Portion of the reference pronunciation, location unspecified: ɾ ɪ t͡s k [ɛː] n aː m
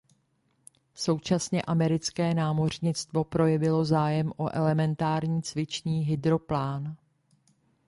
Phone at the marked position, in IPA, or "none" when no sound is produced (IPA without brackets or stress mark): ɛː